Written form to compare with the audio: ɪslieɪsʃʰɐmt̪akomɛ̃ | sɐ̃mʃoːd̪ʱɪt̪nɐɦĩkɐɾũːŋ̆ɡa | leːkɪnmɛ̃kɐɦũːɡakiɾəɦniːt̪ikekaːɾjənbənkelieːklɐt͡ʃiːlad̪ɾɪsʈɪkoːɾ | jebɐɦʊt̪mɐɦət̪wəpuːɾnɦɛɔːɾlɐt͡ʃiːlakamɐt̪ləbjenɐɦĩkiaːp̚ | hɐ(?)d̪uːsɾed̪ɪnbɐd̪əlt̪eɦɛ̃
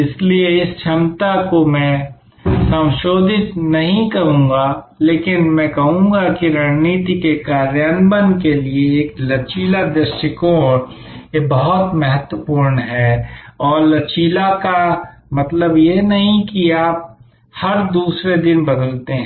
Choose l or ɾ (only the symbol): ɾ